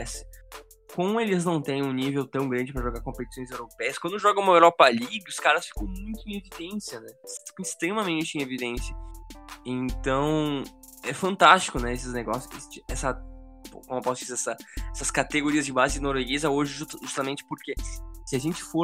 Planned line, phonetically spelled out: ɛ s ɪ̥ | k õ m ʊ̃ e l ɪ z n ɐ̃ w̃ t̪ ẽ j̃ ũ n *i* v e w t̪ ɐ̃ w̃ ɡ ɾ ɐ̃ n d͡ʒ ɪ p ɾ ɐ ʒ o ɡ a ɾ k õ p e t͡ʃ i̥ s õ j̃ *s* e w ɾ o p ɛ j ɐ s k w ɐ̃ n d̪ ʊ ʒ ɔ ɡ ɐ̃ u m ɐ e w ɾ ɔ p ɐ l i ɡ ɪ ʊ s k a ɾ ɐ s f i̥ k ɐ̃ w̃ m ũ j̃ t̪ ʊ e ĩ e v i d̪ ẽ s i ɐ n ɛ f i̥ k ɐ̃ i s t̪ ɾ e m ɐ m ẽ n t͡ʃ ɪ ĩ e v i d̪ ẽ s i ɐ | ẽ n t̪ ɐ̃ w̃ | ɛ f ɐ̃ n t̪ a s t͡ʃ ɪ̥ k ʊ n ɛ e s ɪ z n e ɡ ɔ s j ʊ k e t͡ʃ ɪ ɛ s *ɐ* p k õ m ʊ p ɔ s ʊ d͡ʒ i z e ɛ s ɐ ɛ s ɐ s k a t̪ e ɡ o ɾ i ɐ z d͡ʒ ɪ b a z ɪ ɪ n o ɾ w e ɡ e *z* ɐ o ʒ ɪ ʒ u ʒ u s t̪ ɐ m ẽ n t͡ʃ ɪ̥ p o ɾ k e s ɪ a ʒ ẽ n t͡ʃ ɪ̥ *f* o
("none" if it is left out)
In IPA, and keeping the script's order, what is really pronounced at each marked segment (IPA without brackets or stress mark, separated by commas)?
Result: i, z, ɐ, z, f